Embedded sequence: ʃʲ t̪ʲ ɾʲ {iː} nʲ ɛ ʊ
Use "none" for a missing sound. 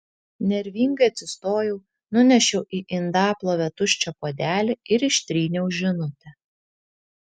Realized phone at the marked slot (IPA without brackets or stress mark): iː